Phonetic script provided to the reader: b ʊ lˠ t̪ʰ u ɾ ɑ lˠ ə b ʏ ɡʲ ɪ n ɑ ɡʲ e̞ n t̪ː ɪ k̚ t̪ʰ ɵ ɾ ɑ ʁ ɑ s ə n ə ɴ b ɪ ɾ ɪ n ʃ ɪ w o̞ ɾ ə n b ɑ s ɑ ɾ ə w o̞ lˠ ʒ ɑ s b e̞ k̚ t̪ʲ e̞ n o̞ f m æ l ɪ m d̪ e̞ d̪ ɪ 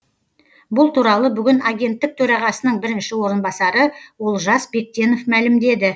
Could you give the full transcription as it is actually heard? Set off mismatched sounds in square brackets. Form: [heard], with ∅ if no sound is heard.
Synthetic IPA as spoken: b ʊ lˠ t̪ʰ u ɾ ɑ lˠ ə b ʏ ɡʲ ɪ n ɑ ɡʲ e̞ n t̪ː ɪ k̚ t̪ʰ ɵ ɾ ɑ ʁ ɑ s ə n ə ɴ b ɪ ɾ ɪ n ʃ ɪ w o̞ ɾ ə n b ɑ s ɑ ɾ ə w o̞ lˠ ʒ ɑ s b e̞ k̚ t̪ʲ e̞ n o̞ f m æ l ɪ m d̪ e̞ d̪ ɪ